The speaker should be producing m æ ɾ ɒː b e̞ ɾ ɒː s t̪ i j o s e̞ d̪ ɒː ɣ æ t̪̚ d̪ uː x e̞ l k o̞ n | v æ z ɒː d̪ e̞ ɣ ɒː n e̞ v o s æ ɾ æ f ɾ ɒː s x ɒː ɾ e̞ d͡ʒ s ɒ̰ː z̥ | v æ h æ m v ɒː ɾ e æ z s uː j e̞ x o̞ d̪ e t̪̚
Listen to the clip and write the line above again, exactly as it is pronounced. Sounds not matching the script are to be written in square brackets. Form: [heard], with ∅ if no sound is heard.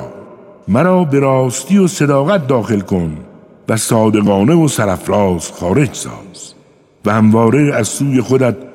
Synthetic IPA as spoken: m æ ɾ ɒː b e̞ ɾ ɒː s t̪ i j o s e̞ d̪ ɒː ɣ æ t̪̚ d̪ [ɒː] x e̞ l k o̞ n | v æ [s] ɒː d̪ e̞ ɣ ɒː n e̞ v o s æ ɾ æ f ɾ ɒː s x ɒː ɾ e̞ d͡ʒ s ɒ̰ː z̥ | v æ h æ m v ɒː ɾ e æ z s uː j e̞ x o̞ d̪ [æ] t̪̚